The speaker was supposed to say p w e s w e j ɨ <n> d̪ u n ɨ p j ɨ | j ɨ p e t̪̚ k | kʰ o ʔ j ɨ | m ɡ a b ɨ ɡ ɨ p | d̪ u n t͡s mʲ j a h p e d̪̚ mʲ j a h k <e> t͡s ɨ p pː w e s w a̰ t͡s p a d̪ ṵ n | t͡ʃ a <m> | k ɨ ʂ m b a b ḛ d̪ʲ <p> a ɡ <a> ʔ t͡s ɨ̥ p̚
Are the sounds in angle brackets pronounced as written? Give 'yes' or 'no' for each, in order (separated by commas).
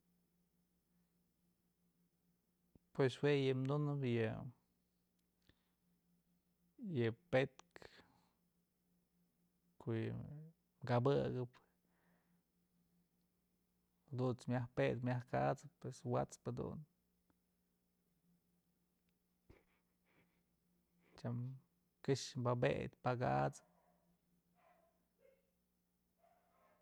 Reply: no, no, yes, yes, yes